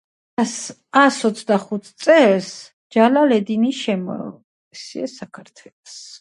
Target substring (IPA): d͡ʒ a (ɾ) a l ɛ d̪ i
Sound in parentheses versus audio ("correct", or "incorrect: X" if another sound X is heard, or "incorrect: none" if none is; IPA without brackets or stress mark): incorrect: l